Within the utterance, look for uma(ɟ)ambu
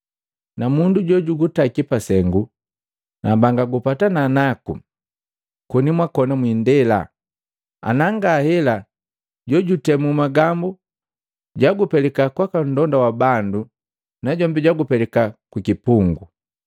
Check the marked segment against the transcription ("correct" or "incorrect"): incorrect